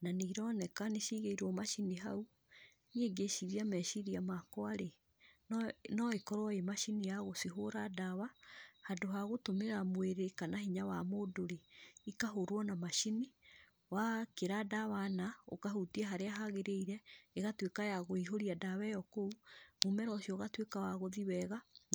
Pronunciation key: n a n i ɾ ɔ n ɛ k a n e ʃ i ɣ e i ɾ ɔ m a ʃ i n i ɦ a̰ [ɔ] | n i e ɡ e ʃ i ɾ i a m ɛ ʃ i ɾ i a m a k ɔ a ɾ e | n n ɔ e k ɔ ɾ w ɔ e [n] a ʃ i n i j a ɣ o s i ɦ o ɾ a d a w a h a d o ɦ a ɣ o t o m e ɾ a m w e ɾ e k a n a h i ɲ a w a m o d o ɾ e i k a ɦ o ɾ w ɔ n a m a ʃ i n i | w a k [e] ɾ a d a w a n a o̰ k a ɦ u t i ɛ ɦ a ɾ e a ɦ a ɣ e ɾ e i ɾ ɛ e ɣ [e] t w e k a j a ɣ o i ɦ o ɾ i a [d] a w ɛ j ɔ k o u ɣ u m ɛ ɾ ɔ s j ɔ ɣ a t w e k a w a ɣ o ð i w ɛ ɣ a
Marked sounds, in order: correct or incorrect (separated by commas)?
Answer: incorrect, incorrect, correct, incorrect, correct